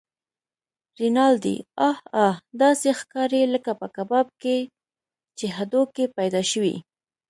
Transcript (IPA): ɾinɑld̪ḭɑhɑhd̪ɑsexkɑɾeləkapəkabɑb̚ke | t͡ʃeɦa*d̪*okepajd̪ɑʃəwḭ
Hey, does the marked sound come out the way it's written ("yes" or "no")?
yes